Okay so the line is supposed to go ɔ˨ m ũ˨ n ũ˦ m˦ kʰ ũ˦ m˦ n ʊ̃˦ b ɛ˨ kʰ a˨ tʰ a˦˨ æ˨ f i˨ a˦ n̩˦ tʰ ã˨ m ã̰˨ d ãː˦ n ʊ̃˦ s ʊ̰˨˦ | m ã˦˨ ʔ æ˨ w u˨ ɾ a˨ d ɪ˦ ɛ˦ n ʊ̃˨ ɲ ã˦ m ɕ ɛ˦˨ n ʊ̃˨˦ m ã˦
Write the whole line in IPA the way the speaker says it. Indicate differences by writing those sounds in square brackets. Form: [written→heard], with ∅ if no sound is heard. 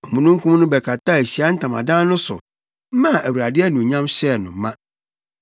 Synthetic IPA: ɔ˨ m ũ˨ n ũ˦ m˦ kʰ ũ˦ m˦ n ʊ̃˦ b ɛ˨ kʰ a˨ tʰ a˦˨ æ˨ [f→ɕ] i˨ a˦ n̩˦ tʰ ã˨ m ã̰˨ d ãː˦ n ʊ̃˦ s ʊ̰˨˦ | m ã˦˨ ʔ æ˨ w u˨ ɾ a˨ d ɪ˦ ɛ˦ n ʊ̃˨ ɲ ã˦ m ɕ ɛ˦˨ n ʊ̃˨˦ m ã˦

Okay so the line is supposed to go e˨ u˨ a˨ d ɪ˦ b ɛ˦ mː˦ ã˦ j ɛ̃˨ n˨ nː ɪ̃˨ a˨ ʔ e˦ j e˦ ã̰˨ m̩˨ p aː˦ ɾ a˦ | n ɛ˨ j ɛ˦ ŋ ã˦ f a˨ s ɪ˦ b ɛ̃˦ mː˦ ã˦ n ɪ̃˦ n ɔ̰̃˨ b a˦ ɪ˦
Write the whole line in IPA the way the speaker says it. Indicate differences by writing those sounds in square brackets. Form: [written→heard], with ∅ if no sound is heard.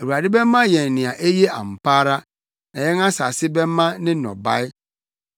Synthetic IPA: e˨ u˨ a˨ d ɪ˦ b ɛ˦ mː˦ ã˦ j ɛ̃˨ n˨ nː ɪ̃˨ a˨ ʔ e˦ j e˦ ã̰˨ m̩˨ p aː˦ ɾ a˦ | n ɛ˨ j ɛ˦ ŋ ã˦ [f→s] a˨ s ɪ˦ b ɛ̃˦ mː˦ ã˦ n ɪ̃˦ n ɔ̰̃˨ b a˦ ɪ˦

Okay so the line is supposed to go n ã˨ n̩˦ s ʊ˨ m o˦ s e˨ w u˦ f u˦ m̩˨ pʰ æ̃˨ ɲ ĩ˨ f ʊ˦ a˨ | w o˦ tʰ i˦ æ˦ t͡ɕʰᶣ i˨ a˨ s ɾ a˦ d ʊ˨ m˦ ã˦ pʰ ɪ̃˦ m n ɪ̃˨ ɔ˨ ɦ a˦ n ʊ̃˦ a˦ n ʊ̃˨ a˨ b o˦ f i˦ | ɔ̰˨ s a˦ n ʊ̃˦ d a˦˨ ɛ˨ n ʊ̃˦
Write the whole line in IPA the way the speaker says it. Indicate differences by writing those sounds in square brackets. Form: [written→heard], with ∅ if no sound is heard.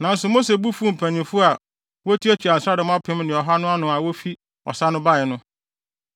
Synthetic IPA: n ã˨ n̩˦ s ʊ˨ m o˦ s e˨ [w→b] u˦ f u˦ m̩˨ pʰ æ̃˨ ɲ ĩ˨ f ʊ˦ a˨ | w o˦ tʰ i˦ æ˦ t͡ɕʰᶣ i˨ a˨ s ɾ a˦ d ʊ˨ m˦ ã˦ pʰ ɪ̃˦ m n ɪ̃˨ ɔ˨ ɦ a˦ n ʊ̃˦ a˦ n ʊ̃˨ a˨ [b→w] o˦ f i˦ | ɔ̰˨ s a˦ n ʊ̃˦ [d→b] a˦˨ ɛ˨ n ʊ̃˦

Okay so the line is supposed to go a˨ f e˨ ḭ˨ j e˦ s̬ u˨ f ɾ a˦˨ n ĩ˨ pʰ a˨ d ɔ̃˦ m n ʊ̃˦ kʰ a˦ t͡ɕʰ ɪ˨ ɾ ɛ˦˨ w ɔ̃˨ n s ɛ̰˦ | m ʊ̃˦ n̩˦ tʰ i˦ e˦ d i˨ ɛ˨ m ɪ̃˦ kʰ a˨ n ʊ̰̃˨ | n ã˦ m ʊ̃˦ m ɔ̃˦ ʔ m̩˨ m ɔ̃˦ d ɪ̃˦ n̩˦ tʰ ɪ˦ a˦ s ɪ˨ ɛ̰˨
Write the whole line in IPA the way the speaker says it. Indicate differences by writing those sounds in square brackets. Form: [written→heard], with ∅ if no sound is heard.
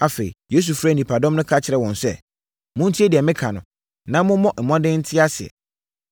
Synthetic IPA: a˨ f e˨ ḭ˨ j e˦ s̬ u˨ f ɾ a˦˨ n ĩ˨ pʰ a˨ d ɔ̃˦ m n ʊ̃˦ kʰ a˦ t͡ɕʰ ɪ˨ ɾ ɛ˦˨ w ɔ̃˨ n s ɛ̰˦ | m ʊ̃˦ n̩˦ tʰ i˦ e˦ d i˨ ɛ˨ m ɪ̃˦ kʰ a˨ n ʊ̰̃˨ | n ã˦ m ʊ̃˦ m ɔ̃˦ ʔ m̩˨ m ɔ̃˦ d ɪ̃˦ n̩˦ tʰ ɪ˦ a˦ s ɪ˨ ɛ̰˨

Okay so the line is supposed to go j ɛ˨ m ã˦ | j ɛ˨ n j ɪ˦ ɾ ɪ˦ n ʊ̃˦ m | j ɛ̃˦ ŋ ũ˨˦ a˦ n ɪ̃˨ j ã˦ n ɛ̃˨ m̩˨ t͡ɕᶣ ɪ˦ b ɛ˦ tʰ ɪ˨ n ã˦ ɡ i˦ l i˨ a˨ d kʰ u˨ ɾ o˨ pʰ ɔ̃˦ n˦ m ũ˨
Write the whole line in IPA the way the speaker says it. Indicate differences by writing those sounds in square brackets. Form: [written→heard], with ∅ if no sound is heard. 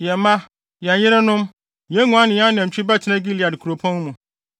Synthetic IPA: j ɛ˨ m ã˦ | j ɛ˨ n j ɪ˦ ɾ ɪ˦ n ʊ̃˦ m | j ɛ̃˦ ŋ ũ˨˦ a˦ n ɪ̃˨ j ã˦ n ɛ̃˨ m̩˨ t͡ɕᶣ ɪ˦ b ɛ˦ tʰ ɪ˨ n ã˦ ɡ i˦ l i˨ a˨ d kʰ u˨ ɾ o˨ pʰ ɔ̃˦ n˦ m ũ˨

